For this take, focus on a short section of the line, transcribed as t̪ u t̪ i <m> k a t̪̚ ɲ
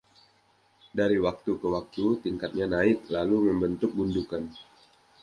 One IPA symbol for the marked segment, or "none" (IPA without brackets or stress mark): ŋ